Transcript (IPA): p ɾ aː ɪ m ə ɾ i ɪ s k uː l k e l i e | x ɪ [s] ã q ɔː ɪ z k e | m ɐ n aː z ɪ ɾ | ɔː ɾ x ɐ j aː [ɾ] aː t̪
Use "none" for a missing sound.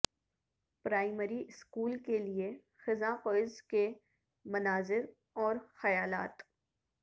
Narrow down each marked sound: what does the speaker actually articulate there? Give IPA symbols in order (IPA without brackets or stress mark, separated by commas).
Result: z, l